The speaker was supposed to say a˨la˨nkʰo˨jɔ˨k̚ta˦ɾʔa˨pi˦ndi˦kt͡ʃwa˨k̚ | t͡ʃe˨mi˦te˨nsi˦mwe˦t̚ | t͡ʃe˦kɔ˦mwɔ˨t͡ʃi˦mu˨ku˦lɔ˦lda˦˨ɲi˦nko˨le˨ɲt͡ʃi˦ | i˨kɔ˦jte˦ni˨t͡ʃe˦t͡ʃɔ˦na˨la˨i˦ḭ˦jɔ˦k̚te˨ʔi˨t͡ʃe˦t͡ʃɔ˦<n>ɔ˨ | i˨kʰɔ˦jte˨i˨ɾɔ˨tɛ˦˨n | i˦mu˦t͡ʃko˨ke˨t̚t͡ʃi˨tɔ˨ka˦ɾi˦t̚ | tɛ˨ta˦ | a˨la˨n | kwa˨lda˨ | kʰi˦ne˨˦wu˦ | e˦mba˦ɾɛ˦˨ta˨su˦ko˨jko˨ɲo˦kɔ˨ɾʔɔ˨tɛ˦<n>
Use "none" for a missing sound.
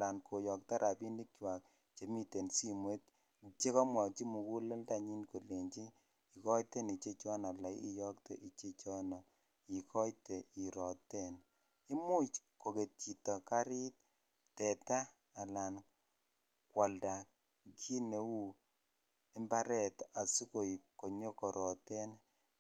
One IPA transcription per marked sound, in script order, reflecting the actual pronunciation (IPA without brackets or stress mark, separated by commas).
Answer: n, n